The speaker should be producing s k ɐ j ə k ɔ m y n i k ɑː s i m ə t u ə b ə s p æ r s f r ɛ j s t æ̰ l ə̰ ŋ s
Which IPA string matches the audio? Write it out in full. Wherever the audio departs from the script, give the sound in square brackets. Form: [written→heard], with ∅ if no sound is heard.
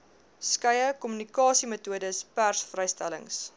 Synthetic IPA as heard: s k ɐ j ə k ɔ m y n i k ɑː s i m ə t u ə [b→d] ə s p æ r s f r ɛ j s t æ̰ l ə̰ ŋ s